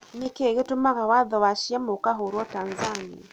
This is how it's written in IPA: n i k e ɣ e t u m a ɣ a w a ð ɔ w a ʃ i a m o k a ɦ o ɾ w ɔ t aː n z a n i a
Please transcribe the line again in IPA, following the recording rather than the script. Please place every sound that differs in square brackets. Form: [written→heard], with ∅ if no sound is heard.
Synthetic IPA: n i k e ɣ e t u m a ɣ a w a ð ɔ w a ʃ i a m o k a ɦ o ɾ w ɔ t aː n z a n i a

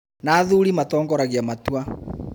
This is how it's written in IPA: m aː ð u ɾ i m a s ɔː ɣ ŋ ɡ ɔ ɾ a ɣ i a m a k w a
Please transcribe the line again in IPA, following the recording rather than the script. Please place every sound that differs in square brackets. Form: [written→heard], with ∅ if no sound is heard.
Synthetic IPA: [m→n] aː ð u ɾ i m a [s→t] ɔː [ɣ→∅] ŋ ɡ ɔ ɾ a ɣ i a m a [k→t] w a

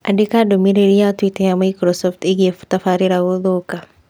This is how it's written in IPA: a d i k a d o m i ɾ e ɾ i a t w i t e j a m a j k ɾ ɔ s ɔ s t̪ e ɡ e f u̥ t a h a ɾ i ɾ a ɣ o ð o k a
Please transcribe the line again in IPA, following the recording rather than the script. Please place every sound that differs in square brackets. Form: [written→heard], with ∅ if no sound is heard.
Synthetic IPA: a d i k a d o m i ɾ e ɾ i a t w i t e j a m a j k ɾ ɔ s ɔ [s→f] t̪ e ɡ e f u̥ t a [h→f] a ɾ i ɾ a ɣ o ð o k a

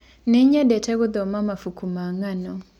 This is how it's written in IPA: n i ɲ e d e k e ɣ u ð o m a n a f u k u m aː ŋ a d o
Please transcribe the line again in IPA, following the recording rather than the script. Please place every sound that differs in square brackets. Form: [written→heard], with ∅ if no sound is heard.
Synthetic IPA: n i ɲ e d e [k→t] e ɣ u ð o m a [n→m] a f u k u m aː ŋ a [d→n] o

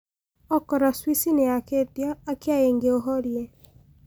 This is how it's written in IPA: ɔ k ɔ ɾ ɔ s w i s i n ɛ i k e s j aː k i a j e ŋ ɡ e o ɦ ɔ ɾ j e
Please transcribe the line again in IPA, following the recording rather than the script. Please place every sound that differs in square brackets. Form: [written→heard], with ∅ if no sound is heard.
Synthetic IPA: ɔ k ɔ ɾ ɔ s w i s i n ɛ [i→a] k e [s→t] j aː k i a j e ŋ ɡ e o ɦ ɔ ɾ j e

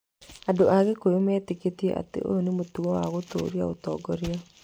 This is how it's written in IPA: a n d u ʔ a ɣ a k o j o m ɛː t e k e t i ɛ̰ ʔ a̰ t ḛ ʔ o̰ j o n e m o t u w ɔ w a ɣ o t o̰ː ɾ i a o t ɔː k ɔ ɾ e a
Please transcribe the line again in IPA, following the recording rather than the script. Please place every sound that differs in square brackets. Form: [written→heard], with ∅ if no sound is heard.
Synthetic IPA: a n d [u→o] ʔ a ɣ [a→e] k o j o m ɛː t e k e t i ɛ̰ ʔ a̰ t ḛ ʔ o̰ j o n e m o t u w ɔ w a ɣ o t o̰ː ɾ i a o t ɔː [k→ɡ] ɔ ɾ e a

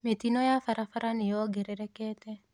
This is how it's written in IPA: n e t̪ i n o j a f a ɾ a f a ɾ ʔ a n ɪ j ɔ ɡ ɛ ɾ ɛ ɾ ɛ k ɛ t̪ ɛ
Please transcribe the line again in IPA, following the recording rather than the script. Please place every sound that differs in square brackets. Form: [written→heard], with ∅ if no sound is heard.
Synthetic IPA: [n→m] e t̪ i n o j a f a ɾ a f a ɾ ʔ a n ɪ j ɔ ɡ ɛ ɾ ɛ ɾ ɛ k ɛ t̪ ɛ

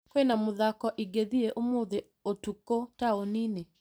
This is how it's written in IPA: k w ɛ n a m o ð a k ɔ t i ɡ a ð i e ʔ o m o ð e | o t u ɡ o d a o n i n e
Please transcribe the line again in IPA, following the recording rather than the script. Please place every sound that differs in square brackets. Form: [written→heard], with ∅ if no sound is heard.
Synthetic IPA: k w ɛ n a m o ð a k ɔ [t→ʔ] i ɡ [a→e] ð i e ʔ o m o ð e | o t u [ɡ→k] o [d→t] a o n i n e

